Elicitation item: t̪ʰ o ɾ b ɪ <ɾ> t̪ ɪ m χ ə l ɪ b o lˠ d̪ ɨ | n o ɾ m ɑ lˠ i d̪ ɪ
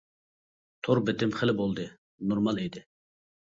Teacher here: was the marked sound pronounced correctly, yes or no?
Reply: no